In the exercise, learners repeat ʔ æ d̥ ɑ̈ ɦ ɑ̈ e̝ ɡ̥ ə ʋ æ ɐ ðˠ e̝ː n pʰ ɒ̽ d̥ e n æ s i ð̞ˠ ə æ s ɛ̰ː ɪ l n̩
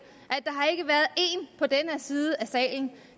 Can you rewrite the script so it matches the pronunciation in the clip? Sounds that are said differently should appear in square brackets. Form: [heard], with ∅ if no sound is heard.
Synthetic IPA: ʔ æ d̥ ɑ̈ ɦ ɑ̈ e̝ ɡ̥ ə ʋ æ ɐ ðˠ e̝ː n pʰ ɒ̽ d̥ e n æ s [iː] ð̞ˠ ə æ s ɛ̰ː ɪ l n̩